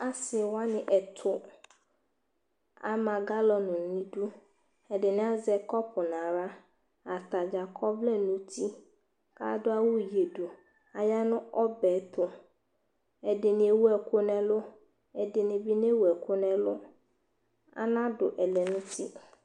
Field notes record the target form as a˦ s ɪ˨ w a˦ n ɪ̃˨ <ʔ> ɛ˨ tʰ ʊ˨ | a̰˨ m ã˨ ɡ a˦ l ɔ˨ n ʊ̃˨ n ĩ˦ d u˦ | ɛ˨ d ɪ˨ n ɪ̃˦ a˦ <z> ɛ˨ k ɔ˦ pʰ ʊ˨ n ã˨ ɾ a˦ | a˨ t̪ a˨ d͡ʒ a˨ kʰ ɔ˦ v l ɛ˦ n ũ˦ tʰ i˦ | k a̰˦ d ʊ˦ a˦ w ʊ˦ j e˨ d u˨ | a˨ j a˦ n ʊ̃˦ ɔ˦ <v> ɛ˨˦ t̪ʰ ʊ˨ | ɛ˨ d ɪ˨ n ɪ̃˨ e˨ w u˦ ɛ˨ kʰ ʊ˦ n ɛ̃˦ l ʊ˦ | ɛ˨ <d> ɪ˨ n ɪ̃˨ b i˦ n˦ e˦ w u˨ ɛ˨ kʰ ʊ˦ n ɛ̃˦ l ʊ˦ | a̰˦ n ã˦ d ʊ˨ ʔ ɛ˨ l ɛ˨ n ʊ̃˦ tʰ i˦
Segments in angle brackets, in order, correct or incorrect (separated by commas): correct, correct, incorrect, correct